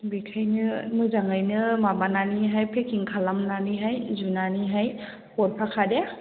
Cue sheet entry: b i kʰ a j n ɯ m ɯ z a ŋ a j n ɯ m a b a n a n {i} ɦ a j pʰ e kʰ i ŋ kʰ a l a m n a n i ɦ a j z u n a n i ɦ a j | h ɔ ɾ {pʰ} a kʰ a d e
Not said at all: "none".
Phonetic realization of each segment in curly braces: i, pʰ

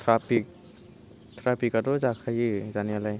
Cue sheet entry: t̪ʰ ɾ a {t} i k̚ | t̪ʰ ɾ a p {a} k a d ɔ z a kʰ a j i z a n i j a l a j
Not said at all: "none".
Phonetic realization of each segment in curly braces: p, i

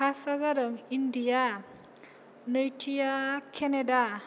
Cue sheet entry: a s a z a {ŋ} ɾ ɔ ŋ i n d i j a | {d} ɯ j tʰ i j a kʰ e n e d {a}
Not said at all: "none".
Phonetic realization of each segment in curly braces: none, n, a

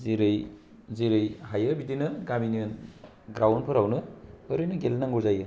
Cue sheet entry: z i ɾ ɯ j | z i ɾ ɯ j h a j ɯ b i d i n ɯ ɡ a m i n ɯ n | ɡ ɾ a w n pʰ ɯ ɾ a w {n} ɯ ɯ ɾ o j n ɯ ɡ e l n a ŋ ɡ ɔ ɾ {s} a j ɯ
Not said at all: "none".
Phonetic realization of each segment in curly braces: n, z

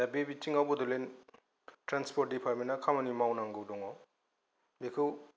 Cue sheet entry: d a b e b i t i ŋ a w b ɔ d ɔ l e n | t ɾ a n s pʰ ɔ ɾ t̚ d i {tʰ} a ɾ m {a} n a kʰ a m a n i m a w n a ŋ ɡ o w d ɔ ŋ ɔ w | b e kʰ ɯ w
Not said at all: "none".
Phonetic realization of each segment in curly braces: pʰ, e

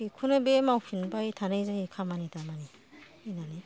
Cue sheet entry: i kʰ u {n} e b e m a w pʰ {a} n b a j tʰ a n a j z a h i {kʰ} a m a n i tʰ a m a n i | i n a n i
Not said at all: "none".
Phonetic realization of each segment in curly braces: n, i, kʰ

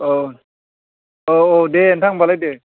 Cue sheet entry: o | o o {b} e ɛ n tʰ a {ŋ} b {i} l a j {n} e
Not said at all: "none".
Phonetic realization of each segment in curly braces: d, ŋ, a, d

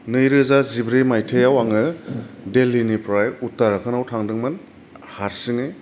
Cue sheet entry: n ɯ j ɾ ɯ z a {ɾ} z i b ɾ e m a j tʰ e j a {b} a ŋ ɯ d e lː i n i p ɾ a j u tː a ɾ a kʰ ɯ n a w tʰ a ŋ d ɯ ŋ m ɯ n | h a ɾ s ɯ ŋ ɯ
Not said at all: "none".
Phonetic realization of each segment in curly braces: none, w

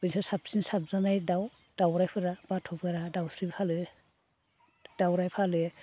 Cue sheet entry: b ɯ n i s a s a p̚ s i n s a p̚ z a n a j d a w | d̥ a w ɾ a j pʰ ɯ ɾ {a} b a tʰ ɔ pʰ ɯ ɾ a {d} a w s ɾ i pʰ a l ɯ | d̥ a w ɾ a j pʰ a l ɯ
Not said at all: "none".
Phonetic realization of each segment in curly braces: a, d

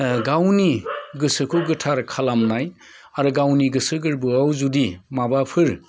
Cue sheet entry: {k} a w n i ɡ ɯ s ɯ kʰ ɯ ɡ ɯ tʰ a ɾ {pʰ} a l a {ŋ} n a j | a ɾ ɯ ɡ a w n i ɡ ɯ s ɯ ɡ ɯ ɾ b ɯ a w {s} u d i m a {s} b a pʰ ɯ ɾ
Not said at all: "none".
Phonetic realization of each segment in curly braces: ɡ, kʰ, m, z, none

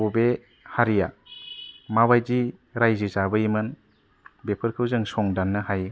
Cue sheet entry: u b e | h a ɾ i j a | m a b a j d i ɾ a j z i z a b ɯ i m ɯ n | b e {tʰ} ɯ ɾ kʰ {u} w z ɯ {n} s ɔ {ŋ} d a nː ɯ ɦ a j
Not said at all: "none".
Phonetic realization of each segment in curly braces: pʰ, ɯ, ŋ, ŋ

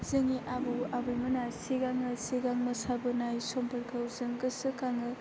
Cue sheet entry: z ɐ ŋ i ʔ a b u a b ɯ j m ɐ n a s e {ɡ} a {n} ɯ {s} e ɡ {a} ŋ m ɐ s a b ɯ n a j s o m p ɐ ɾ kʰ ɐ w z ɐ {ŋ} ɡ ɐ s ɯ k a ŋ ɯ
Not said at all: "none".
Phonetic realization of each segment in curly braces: ɡ, ŋ, s, a, ŋ

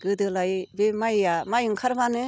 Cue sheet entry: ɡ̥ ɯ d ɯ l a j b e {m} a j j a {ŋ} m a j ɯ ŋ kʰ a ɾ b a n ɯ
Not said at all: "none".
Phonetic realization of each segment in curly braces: m, none

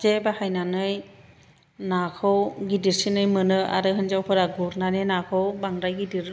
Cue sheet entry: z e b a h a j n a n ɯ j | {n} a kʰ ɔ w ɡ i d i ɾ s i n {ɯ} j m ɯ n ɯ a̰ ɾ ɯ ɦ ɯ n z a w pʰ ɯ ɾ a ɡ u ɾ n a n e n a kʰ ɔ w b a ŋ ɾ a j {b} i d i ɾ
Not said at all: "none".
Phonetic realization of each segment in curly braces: n, ɯ, ɡ

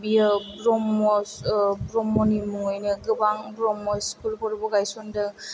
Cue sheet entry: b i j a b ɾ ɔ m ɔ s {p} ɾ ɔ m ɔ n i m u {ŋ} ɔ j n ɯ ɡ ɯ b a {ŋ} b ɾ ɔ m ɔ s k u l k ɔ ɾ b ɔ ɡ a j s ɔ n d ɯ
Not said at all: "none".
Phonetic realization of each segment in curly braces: b, ŋ, ŋ

